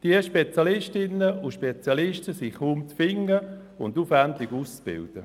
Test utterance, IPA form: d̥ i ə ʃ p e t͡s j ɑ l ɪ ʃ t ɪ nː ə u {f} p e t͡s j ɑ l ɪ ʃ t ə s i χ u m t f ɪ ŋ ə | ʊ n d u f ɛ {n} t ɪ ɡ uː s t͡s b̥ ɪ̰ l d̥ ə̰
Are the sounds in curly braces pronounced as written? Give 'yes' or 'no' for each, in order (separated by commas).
no, yes